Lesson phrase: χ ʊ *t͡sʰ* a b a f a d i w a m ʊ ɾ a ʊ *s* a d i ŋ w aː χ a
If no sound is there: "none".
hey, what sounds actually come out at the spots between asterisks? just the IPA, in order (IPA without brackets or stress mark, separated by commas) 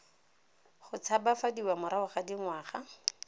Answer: t͡sʰ, χ